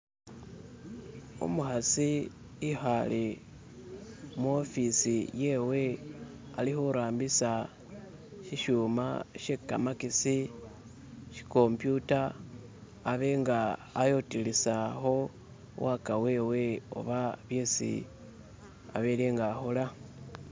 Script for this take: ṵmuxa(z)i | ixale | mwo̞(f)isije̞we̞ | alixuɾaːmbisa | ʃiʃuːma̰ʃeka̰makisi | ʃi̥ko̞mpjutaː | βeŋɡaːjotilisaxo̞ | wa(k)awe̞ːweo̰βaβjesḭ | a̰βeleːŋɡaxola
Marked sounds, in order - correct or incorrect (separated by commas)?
incorrect, correct, correct